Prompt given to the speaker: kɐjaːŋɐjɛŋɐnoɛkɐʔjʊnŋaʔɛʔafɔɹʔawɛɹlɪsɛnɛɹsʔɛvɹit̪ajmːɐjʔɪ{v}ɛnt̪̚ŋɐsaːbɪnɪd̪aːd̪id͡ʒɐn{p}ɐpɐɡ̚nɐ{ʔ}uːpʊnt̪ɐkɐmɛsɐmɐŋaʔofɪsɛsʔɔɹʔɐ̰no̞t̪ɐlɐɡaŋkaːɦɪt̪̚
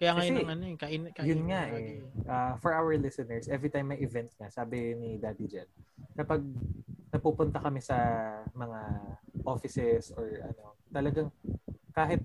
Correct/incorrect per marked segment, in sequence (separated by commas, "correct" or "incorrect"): correct, incorrect, incorrect